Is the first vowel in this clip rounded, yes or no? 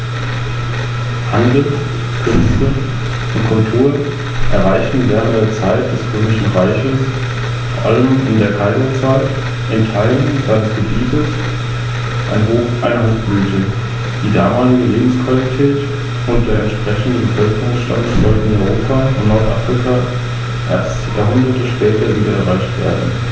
no